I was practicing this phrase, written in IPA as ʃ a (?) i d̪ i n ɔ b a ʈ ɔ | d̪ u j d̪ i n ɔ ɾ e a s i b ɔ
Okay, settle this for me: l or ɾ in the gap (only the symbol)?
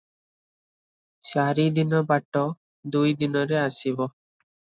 ɾ